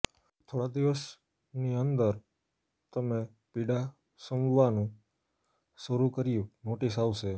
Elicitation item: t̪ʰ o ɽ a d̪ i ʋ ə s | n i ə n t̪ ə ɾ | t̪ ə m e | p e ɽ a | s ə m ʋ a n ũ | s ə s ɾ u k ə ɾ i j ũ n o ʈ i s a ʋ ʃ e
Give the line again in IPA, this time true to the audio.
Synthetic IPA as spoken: t̪ʰ o ɽ a d̪ i ʋ ə s | n i ə n d̪ ə ɾ | t̪ ə m e | p i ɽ a | s ə m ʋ a n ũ | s ə ɾ u k ə ɾ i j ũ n o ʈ i s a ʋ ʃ e